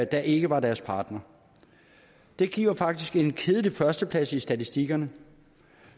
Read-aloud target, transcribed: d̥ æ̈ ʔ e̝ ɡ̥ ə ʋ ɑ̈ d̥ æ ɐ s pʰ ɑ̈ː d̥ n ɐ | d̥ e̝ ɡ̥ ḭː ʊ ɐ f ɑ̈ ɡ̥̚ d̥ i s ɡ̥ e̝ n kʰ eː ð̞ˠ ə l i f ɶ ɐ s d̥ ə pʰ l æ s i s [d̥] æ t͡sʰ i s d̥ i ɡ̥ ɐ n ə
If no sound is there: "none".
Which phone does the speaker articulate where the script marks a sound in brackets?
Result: d̥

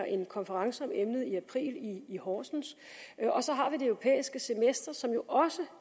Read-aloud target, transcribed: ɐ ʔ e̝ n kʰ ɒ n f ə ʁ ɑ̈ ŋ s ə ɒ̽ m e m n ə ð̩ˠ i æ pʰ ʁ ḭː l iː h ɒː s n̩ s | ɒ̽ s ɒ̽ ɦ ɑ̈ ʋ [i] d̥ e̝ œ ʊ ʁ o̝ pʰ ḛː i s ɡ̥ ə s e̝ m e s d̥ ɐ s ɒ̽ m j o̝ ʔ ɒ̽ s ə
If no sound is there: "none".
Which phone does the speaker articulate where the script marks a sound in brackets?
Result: i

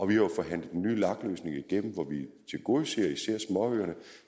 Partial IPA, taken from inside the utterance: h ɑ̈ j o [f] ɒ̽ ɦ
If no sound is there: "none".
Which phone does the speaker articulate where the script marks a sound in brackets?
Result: f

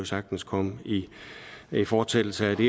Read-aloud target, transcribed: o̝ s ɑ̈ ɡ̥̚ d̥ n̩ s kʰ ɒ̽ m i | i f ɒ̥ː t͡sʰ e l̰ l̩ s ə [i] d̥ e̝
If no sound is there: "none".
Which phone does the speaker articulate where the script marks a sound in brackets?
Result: æ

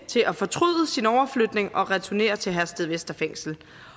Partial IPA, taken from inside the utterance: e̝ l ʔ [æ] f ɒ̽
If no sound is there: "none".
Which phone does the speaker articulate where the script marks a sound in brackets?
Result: æ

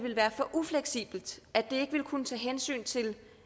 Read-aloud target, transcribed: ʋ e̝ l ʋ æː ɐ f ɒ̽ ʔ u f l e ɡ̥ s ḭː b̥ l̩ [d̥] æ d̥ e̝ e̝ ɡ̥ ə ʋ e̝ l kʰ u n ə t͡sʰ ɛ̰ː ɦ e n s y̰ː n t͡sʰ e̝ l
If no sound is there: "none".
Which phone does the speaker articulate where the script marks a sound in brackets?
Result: d̥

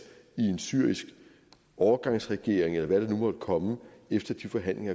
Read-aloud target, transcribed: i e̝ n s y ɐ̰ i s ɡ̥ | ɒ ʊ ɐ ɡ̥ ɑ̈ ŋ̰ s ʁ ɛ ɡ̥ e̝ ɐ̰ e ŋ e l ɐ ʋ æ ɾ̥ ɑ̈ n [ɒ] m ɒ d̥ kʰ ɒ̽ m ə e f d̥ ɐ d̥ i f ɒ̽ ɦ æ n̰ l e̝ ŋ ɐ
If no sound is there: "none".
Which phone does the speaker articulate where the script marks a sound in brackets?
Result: u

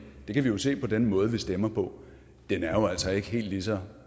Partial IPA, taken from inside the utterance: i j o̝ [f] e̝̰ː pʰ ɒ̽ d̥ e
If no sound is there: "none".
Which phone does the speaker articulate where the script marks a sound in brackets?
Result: s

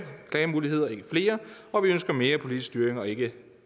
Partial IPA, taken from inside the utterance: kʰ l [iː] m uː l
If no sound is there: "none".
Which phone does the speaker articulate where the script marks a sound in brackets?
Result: ɛː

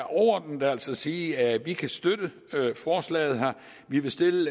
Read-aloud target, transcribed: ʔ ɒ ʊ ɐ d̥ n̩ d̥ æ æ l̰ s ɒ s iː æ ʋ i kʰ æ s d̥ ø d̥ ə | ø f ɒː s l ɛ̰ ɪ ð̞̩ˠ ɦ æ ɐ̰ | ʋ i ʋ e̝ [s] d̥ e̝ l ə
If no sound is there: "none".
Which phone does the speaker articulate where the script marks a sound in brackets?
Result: s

